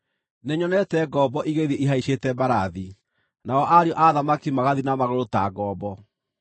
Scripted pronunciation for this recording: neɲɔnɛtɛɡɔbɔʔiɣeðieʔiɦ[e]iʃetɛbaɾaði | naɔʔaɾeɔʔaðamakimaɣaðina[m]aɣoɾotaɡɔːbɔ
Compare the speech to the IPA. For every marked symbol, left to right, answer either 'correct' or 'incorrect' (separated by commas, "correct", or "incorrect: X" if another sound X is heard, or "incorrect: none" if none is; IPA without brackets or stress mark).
incorrect: a, correct